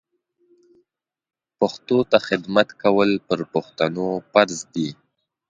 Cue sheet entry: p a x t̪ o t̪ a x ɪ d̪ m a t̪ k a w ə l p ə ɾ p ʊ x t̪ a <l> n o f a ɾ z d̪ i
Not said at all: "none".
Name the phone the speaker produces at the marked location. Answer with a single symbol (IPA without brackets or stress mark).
none